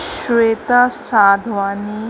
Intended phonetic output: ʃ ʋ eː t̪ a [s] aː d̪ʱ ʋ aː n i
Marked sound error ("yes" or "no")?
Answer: no